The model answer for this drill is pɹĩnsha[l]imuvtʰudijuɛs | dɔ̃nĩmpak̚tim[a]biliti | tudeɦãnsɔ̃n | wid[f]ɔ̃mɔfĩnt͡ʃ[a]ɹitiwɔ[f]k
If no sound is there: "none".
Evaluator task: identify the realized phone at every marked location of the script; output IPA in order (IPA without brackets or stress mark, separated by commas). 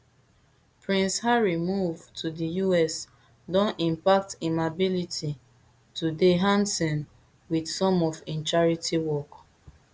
ɹ, a, s, a, none